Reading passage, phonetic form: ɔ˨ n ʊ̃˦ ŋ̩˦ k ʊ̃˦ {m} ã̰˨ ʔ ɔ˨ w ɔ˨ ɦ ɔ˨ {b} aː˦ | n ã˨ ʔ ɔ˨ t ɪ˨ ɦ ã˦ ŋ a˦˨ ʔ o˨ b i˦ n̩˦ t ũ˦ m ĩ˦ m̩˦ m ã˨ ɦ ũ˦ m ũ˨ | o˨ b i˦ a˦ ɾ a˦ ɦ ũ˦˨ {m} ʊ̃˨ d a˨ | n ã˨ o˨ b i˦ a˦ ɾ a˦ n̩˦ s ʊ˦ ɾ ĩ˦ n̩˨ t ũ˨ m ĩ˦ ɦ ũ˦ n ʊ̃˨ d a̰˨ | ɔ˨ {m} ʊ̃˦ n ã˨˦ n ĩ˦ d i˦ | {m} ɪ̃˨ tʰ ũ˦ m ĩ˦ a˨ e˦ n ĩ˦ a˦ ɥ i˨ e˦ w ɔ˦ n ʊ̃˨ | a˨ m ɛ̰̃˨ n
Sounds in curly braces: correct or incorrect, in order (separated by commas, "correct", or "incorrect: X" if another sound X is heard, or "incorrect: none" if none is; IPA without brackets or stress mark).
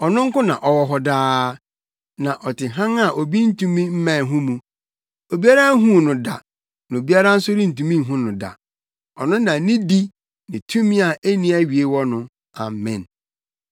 incorrect: n, incorrect: d, incorrect: n, incorrect: n, incorrect: n